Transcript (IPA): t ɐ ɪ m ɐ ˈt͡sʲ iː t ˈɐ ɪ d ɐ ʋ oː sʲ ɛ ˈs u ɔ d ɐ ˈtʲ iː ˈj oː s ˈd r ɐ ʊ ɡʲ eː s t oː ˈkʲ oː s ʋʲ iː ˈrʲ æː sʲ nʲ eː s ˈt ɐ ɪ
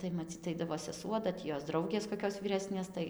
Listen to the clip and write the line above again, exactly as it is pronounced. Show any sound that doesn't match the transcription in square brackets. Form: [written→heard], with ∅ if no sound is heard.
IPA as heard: t ɐ ɪ m ɐ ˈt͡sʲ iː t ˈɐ ɪ d ɐ ʋ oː sʲ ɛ ˈs u ɔ d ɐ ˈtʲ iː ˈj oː s ˈd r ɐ ʊ ɡʲ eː s [t→k] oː ˈkʲ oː s ʋʲ iː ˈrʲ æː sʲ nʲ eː s ˈt ɐ ɪ